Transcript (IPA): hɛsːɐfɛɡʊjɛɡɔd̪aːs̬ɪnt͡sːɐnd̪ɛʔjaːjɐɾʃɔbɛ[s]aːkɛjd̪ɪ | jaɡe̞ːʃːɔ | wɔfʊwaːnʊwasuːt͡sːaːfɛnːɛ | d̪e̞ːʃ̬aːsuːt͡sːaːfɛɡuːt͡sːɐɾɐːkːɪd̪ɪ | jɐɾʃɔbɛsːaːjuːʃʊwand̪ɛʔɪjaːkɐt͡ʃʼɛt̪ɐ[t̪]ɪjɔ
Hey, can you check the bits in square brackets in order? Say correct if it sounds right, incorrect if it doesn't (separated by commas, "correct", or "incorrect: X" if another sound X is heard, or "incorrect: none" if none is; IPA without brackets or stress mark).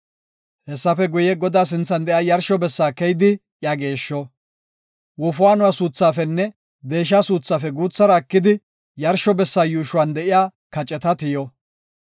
incorrect: sː, correct